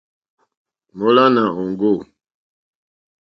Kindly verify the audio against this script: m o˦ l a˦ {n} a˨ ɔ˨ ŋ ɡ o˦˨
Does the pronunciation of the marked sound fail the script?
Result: no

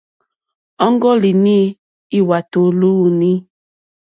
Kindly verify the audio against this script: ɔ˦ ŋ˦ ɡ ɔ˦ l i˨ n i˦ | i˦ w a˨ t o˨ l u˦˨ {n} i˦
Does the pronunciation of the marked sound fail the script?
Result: no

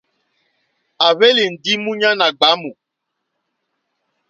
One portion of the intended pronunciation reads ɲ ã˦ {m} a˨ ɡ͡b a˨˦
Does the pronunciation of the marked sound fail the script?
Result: yes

